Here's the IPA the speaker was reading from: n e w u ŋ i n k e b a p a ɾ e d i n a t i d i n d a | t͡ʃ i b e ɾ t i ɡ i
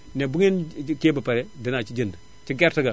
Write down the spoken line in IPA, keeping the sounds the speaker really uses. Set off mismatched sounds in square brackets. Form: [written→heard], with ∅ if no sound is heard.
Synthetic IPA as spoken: n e [w→b] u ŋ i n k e b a p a ɾ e d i n a [t→t͡ʃ] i [d→d͡ʒ] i n d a | t͡ʃ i [b→ɡ] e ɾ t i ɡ [i→a]